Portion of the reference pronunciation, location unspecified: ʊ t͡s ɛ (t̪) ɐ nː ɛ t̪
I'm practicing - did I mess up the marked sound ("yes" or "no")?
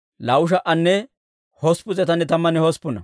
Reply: no